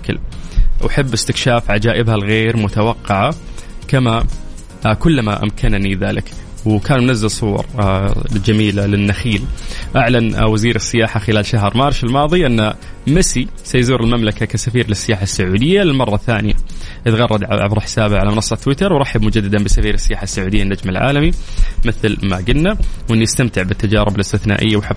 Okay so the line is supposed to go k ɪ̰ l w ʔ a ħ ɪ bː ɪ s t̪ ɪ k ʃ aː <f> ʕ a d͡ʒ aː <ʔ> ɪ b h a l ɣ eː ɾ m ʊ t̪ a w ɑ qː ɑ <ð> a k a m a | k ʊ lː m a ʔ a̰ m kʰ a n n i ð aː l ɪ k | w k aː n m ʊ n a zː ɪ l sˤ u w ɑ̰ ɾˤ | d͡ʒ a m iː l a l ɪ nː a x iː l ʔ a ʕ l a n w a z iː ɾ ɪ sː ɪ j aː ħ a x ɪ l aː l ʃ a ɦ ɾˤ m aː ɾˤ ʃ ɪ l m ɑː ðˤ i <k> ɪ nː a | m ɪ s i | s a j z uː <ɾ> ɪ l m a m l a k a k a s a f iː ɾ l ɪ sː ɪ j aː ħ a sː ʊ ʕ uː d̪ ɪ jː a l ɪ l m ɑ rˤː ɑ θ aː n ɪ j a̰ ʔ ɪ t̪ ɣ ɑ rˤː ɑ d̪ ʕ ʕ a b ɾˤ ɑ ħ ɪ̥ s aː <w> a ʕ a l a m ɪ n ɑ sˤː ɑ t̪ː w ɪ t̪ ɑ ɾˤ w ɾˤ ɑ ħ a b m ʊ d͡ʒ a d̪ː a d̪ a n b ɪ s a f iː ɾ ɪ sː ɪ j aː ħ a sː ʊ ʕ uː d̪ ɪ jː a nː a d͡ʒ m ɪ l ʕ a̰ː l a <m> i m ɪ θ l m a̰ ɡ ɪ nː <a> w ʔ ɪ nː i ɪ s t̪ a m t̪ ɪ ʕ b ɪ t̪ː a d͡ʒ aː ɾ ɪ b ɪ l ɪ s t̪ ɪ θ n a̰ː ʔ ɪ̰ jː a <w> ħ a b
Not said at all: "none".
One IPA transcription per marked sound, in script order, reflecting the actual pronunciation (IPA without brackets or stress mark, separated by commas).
f, ʔ, ʕ, ʔ, ɾ, b, m, a, w